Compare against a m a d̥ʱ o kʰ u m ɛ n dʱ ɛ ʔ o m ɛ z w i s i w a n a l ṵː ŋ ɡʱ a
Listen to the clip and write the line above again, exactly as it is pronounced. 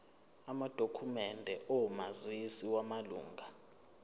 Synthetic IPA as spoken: a m a d̥ʱ o kʰ u m ɛ n dʱ ɛ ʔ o m a z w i s i w a m a l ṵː ŋ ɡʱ a